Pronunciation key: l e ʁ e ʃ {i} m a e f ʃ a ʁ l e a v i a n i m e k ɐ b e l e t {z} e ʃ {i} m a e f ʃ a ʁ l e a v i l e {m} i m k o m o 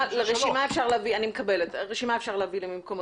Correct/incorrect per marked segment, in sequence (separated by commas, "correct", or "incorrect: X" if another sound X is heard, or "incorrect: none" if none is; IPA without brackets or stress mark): correct, incorrect: ʁ, correct, correct